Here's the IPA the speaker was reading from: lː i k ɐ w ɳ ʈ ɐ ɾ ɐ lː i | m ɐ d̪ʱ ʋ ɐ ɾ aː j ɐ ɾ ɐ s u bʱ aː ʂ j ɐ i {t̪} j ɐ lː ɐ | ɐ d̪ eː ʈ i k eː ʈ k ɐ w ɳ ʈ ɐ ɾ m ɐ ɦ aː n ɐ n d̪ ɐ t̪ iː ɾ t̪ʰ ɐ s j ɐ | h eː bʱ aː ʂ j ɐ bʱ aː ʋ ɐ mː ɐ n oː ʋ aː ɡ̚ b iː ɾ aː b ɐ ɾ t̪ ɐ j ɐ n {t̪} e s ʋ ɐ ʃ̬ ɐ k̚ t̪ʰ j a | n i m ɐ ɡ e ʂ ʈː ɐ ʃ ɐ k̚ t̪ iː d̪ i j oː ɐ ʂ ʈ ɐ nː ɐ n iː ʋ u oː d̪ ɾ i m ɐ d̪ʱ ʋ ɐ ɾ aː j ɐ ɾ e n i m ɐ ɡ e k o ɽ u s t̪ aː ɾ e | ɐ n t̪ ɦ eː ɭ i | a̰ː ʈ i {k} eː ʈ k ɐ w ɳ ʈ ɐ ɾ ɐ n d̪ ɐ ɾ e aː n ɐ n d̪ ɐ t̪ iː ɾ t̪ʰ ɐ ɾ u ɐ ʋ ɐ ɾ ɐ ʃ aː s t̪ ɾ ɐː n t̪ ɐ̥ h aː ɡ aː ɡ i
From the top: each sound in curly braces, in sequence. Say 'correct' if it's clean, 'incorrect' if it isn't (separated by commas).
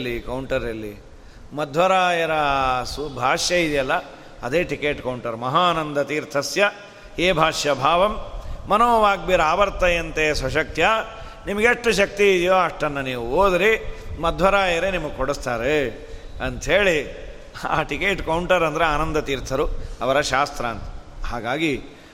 incorrect, correct, correct